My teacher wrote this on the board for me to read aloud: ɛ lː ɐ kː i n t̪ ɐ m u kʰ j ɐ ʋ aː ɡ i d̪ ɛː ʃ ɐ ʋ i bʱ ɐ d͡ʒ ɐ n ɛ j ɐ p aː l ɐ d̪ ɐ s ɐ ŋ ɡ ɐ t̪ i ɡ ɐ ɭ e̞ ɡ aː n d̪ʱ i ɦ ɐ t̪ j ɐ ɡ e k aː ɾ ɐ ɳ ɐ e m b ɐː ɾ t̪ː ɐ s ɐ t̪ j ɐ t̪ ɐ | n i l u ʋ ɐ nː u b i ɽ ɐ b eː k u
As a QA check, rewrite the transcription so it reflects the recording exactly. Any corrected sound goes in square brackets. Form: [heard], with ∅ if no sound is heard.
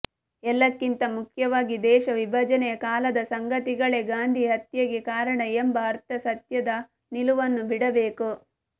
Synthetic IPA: ɛ lː ɐ kː i n t̪ ɐ m u kʰ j ɐ ʋ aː ɡ i d̪ ɛː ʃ ɐ ʋ i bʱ ɐ d͡ʒ ɐ n ɛ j ɐ [k] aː l ɐ d̪ ɐ s ɐ ŋ ɡ ɐ t̪ i ɡ ɐ ɭ e̞ ɡ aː n d̪ʱ i ɦ ɐ t̪ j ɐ ɡ e k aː ɾ ɐ ɳ ɐ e m b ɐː ɾ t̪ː ɐ s ɐ t̪ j ɐ [d̪] ɐ | n i l u ʋ ɐ nː u b i ɽ ɐ b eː k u